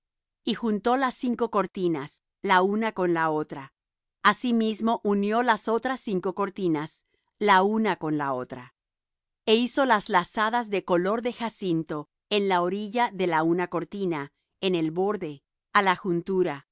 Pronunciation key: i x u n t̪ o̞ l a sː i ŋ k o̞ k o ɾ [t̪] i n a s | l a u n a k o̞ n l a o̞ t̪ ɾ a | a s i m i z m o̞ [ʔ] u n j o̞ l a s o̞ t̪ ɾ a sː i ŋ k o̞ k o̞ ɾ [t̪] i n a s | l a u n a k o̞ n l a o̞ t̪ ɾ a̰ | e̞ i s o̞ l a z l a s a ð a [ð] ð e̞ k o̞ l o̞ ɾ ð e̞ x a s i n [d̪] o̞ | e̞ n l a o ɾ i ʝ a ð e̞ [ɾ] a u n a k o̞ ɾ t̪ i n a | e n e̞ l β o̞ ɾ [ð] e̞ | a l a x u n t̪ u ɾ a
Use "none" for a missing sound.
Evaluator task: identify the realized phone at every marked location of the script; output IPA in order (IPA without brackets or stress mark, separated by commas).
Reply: t̪, ʔ, t̪, z, t̪, l, ð